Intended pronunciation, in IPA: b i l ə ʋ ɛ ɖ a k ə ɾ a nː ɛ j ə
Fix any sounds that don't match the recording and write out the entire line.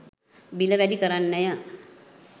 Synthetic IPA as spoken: b i l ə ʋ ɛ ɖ i k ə ɾ a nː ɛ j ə